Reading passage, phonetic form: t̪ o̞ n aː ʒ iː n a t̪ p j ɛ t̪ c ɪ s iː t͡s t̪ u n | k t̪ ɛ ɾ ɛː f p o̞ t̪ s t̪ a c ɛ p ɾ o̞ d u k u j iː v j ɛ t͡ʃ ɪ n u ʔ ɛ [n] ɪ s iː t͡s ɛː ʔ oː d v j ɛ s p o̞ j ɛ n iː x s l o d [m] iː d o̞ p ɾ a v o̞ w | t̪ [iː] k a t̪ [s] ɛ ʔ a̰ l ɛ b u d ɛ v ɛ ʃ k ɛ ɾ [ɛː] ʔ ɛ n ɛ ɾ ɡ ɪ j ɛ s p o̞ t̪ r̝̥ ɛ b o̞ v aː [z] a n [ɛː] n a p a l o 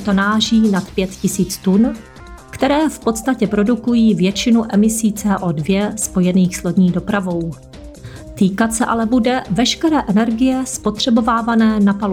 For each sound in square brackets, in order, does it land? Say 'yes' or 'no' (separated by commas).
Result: no, no, yes, yes, yes, no, yes